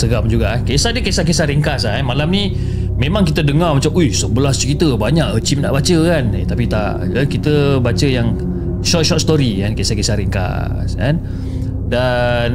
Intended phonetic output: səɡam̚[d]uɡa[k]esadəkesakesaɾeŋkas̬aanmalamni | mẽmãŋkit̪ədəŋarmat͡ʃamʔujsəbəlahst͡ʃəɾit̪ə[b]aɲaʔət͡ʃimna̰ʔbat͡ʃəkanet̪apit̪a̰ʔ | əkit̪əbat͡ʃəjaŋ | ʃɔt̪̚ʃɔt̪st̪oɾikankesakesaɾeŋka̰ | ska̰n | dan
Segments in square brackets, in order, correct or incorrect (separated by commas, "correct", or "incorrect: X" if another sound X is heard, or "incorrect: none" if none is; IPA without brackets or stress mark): incorrect: d͡ʒ, correct, correct